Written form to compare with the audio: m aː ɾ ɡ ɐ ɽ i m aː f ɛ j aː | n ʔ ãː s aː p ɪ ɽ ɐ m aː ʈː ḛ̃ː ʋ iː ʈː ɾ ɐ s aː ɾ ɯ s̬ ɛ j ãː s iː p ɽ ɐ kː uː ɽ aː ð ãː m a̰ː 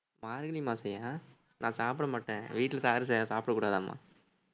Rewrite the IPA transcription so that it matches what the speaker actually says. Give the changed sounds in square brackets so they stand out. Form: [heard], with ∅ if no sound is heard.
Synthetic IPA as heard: m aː ɾ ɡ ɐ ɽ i m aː [s] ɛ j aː | n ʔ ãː s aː p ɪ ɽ ɐ m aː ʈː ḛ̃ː ʋ iː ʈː [l] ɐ s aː ɾ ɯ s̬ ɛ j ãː s [aː] p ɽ ɐ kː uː ɽ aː ð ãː m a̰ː